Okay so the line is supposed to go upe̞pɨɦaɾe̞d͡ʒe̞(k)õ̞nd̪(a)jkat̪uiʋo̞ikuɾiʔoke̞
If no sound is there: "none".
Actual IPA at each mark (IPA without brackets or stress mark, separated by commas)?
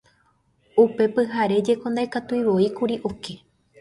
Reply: k, a